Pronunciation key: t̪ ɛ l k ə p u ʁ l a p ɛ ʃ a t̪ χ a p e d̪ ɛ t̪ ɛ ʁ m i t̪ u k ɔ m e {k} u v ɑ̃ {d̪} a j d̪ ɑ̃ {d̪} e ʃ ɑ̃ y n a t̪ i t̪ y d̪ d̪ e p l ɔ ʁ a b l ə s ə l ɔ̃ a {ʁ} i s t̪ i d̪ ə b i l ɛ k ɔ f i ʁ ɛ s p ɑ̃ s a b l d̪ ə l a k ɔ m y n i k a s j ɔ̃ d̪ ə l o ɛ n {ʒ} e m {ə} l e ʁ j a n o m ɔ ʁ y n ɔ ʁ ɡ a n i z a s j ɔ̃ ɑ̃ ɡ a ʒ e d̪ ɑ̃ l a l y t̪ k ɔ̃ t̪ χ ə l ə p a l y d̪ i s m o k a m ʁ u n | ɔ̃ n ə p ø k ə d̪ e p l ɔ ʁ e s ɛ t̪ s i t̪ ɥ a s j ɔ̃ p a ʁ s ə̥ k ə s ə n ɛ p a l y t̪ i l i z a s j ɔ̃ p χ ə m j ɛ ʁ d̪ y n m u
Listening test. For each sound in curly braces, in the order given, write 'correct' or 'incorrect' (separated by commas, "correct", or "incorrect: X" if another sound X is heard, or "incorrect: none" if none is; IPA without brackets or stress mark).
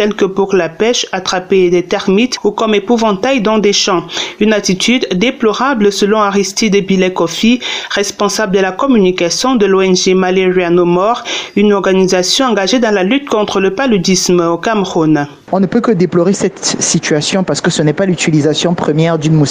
incorrect: p, incorrect: t̪, correct, correct, correct, incorrect: a